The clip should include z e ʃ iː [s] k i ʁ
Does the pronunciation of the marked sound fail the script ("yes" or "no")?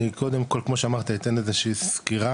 no